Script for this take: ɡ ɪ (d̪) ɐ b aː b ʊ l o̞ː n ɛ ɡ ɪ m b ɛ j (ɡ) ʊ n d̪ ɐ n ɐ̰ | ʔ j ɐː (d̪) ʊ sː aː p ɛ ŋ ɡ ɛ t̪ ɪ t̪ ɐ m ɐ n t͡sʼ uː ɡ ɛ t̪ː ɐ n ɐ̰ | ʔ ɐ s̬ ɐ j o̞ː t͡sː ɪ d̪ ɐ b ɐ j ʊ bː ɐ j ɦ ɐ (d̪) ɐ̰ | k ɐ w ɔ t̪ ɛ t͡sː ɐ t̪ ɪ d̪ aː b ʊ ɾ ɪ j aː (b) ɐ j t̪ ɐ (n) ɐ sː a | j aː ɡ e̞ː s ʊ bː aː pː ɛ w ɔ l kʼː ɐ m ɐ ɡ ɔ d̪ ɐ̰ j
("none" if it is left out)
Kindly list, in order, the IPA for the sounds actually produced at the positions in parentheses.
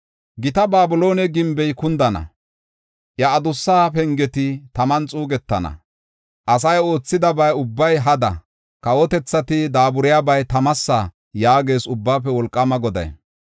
t̪, k, d̪, d̪, b, m

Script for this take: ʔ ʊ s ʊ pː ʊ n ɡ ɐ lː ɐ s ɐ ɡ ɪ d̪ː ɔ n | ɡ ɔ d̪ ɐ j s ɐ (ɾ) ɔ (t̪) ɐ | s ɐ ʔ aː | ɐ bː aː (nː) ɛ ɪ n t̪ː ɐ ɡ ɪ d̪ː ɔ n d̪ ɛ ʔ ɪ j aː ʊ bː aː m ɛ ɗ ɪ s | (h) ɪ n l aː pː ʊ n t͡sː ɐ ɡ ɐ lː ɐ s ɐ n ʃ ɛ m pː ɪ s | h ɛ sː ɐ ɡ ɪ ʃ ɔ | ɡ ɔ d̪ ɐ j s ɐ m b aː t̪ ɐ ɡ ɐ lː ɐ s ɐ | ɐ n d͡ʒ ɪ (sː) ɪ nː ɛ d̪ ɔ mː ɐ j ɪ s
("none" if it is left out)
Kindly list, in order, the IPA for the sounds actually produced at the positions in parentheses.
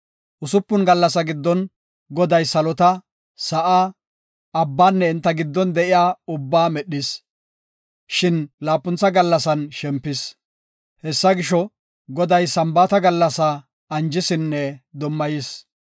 l, t̪, nː, ʃ, s

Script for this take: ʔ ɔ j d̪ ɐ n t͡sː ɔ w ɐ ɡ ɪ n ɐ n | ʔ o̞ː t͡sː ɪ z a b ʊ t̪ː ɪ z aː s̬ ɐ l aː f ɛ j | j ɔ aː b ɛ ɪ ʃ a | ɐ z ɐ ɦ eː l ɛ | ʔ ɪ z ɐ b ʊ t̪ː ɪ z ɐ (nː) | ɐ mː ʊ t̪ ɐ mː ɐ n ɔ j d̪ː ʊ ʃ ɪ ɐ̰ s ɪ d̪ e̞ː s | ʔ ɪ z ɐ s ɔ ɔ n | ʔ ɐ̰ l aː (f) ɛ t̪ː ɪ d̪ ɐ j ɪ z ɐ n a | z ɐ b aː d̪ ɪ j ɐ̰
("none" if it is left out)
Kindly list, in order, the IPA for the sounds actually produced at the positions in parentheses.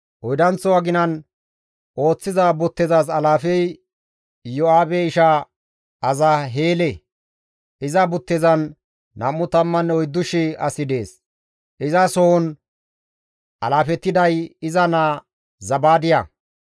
nː, f

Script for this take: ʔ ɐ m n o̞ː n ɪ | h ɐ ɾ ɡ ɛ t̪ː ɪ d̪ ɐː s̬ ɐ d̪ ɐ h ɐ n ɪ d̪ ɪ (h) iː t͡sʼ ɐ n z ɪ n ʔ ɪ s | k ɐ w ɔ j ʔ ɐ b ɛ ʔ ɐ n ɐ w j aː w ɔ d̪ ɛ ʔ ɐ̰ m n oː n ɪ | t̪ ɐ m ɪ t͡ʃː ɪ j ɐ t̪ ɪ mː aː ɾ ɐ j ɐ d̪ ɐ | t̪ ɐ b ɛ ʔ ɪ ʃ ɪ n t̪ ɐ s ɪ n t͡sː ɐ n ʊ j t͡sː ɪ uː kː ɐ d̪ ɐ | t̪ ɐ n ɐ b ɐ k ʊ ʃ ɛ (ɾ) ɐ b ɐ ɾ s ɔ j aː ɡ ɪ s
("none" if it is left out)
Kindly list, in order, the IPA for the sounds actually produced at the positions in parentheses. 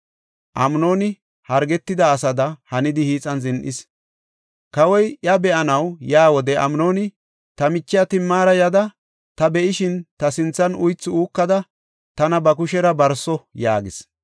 h, ɾ

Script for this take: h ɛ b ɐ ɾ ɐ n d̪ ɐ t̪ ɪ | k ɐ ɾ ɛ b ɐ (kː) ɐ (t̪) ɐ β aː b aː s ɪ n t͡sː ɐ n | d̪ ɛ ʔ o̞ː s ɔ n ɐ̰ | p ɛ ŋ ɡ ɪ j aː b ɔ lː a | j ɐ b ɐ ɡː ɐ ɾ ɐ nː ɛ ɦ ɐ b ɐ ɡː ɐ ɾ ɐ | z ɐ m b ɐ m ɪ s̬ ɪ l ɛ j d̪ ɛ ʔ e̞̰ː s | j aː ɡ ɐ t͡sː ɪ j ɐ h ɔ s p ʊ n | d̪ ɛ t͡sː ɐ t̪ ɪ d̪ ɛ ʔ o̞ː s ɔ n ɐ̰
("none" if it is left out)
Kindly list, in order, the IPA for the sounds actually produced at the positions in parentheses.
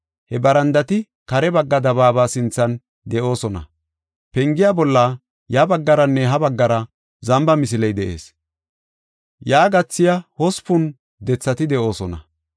ɡː, d̪

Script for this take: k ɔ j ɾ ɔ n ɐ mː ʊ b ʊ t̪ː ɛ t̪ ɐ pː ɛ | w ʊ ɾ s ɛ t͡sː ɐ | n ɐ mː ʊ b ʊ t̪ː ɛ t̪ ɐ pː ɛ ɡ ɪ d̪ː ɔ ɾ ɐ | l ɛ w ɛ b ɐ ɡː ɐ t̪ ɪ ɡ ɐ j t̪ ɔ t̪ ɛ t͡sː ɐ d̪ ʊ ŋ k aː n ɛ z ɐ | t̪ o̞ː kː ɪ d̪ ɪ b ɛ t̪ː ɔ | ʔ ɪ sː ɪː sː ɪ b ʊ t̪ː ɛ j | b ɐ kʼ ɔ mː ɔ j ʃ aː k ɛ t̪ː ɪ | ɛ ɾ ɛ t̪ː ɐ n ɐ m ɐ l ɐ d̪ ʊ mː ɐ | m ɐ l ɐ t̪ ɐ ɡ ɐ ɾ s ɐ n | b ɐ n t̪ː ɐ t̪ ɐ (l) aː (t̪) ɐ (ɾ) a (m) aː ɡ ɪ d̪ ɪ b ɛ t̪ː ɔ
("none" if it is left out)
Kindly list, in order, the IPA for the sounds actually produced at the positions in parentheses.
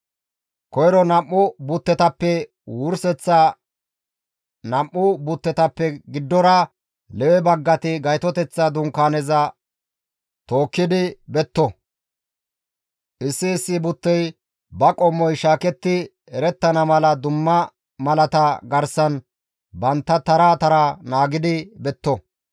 ɾ, t̪, ɾ, n

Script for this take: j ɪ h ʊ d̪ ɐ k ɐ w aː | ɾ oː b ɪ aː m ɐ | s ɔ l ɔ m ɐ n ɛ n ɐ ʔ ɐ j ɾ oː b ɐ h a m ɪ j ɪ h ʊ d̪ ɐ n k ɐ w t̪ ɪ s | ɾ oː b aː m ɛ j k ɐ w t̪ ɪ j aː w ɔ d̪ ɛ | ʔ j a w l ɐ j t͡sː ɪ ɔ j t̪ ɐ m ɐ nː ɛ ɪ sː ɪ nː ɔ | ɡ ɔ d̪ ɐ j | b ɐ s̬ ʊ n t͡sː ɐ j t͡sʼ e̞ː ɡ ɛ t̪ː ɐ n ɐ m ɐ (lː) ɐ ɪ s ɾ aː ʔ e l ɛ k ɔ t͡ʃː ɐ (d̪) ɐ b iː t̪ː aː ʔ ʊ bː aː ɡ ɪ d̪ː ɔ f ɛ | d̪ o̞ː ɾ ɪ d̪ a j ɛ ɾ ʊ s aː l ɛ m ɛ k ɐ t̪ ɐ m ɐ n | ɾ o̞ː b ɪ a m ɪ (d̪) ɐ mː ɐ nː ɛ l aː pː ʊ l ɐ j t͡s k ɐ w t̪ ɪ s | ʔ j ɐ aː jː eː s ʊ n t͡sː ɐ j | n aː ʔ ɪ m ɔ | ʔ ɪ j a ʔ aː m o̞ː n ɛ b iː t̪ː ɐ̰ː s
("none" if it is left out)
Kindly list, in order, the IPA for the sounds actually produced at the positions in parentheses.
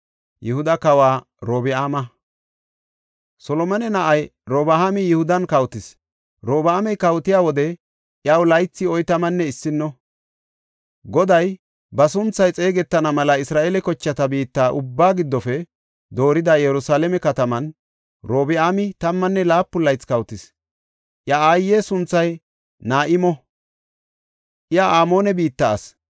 l, t̪, t̪

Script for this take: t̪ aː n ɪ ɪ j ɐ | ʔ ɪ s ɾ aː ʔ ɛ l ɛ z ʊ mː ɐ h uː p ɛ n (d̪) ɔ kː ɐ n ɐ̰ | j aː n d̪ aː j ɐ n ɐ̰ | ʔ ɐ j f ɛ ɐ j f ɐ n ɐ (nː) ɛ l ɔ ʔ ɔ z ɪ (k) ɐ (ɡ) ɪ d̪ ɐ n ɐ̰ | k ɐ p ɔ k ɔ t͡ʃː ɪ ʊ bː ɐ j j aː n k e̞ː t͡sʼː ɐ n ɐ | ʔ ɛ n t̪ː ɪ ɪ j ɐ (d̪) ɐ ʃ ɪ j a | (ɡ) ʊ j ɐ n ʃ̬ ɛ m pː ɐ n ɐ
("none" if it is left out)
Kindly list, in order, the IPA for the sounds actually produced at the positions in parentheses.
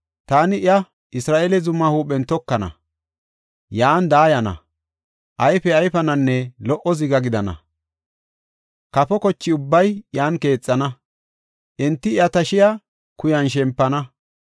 t̪, nː, ɡ, ɡ, t̪, k

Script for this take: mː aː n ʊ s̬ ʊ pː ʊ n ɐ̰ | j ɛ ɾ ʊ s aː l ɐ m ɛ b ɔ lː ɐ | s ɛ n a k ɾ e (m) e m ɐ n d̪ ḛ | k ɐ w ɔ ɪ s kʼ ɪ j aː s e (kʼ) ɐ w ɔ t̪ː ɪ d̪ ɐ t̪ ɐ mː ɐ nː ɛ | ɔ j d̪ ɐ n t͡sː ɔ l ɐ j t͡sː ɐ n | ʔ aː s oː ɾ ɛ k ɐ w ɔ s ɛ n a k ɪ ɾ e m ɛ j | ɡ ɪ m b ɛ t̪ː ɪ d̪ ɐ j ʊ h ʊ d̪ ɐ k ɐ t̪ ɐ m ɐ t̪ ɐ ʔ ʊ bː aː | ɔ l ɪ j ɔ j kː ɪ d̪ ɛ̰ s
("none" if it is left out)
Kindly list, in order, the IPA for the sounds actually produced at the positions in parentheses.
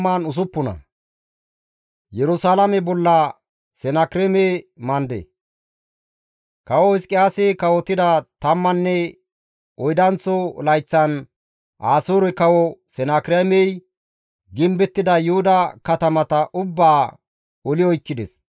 m, k

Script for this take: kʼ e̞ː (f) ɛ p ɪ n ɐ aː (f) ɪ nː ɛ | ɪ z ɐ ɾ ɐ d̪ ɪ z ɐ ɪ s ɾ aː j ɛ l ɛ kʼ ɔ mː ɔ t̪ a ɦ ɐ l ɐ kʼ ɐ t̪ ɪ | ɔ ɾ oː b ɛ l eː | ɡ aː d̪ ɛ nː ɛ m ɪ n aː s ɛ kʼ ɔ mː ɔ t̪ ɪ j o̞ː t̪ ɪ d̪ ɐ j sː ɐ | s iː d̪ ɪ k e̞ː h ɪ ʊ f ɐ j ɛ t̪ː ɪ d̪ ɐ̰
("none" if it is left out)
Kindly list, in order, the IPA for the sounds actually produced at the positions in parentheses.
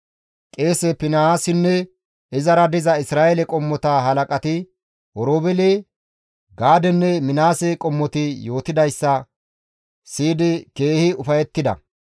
s, s

